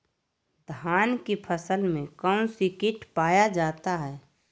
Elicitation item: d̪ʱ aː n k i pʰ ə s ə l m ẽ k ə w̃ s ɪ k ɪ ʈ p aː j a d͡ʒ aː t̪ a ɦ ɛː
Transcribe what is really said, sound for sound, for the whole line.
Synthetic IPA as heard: d̪ʱ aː n k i pʰ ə s ə l m ẽ k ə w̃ s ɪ k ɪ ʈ p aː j a d͡ʒ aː t̪ a ɦ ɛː